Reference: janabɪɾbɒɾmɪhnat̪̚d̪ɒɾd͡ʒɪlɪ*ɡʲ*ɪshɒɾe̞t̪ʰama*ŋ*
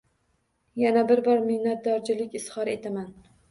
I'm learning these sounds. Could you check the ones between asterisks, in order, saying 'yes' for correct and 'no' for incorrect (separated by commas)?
no, no